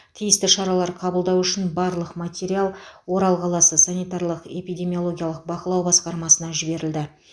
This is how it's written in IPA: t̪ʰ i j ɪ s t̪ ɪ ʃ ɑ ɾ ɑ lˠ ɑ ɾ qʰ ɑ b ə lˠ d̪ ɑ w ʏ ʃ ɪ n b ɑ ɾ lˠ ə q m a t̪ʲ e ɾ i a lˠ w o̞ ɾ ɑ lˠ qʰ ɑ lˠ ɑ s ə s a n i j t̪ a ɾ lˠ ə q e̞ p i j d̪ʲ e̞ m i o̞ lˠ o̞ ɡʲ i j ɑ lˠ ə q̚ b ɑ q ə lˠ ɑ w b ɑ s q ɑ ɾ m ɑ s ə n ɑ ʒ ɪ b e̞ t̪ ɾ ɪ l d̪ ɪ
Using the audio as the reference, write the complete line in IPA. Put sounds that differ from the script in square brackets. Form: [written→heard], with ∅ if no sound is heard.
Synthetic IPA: t̪ʰ i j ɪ s t̪ ɪ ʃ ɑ ɾ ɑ lˠ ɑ ɾ qʰ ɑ b ə lˠ d̪ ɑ w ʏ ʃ ɪ n b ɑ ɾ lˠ ə q m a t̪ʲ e ɾ i a lˠ w o̞ ɾ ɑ lˠ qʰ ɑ lˠ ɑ s ə s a n i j t̪ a ɾ lˠ ə q e̞ p i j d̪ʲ e̞ m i o̞ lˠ o̞ ɡʲ i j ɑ lˠ ə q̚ b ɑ q ə lˠ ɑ w b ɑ s q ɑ ɾ m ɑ s ə n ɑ ʒ ɪ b e̞ [t̪→∅] ɾ ɪ l d̪ ɪ